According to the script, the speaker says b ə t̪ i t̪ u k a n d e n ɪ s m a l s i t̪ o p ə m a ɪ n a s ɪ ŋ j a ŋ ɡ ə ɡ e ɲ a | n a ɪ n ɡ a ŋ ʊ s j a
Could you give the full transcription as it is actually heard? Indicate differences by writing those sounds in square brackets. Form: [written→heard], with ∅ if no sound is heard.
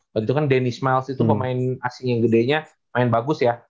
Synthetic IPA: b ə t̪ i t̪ u k a n d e n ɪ s m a l s i t̪ [o→u] p ə m a ɪ n a s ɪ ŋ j a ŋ ɡ ə [ɡ→d] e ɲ a | [n→m] a ɪ n [ɡ→b] a [ŋ→ɡ] ʊ s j a

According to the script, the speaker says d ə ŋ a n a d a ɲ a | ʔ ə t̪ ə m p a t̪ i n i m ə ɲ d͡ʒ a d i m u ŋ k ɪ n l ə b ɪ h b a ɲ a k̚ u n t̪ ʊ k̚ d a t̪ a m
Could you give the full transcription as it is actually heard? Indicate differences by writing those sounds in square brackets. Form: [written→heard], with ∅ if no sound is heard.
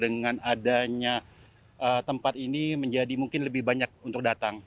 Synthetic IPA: d ə ŋ a n a d a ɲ a | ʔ ə t̪ ə m p a t̪ i n i m ə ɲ d͡ʒ a d i m u ŋ k ɪ n l ə b ɪ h b a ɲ a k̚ u n t̪ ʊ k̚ d a t̪ a [m→ŋ]

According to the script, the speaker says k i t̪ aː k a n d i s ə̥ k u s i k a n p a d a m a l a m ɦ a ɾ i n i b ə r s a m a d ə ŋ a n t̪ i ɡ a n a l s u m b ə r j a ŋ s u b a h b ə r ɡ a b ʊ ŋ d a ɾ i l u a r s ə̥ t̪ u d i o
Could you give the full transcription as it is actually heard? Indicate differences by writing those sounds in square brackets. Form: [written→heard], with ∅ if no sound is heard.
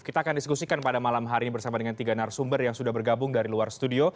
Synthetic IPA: k i t̪ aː k a n d i s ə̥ k u s i k a n p a d a m a l a m ɦ a ɾ i n i b ə r s a m a d ə ŋ a n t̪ i ɡ a n a [l→r] s u m b ə r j a ŋ s u [b→d] a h b ə r ɡ a b ʊ ŋ d a ɾ i l u a r s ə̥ t̪ u d i o

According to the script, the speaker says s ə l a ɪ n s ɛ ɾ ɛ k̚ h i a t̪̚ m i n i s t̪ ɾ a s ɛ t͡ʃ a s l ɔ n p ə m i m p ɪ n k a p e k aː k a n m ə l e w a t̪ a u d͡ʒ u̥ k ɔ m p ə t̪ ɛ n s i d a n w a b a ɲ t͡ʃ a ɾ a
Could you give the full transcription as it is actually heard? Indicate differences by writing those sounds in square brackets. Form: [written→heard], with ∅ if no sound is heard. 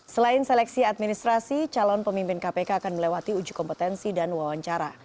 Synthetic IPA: s ə l a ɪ n s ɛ [ɾ→l] ɛ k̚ [h→s] i a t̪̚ m i n i s t̪ ɾ a s [ɛ→i] t͡ʃ a [s→∅] l ɔ n p ə m i m p ɪ n k a p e k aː k a n m ə l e w a t̪ [a→i] u d͡ʒ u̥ k ɔ m p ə t̪ ɛ n s i d a n w a [b→w] a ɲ t͡ʃ a ɾ a

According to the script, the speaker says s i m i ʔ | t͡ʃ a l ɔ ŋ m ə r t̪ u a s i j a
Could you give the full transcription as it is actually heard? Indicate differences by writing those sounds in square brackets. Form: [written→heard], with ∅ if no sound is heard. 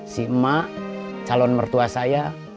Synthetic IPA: s i m [i→a] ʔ | t͡ʃ a l ɔ [ŋ→n] m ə r t̪ u a s [i→a] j a

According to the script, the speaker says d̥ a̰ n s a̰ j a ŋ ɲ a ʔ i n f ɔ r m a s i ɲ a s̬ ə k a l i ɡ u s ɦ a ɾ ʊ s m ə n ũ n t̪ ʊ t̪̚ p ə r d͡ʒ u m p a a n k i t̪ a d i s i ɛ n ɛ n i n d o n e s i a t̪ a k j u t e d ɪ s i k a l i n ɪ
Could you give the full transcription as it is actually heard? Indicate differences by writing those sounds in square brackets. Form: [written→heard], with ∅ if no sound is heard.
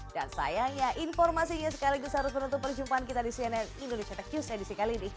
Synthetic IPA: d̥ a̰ n s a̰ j a ŋ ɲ a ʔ i n f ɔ r m a s i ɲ a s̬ ə k a l i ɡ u s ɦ a ɾ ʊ s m ə n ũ n t̪ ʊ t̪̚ p ə r d͡ʒ u m p a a n k i t̪ a d i s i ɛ n ɛ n i n d o n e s i a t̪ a k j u [t→s] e d [ɪ→i] s i k a l i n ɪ

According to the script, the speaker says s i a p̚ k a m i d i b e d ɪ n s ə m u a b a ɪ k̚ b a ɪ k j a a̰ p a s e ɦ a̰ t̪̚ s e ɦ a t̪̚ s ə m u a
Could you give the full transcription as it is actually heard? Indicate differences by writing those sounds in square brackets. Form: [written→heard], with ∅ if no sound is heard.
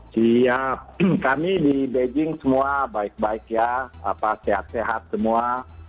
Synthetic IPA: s i a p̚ k a m i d i b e [d→d͡ʒ] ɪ [n→ŋ] s ə m u a b a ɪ k̚ b a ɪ k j a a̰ p a s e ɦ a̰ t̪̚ s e ɦ a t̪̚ s ə m u a

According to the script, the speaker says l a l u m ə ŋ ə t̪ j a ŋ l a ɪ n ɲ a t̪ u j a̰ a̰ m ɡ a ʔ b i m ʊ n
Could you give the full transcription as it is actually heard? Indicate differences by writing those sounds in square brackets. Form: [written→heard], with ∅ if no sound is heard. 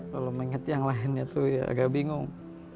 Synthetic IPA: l a l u m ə ŋ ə t̪ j a ŋ l a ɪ n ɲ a t̪ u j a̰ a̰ [m→∅] ɡ a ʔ b i [m→ŋ] ʊ [n→ŋ]

